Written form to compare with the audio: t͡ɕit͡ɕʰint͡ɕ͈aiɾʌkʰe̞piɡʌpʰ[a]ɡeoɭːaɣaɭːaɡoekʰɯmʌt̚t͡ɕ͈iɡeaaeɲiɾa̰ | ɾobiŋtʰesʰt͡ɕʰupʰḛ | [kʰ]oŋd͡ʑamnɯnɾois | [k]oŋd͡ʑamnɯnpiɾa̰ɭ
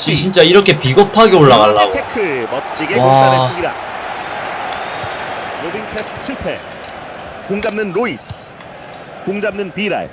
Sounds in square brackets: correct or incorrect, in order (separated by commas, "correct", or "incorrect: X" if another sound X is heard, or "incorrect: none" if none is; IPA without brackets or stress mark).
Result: correct, incorrect: k, correct